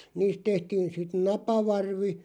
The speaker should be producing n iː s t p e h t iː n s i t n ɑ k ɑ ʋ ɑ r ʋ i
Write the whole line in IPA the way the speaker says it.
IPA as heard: n iː s t t e h t iː n s i t n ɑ p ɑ ʋ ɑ r ʋ i